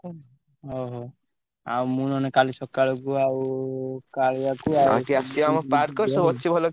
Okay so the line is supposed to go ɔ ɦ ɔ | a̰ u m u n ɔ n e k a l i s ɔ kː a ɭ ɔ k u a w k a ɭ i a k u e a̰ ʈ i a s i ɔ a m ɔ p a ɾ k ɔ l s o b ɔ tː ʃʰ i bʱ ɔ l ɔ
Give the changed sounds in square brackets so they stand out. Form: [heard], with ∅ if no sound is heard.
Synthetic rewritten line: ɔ ɦ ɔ | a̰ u m u n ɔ n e k a l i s ɔ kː a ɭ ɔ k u a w k a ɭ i a k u [a] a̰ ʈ i a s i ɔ a m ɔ p a ɾ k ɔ [ɾ] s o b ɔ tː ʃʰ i bʱ ɔ l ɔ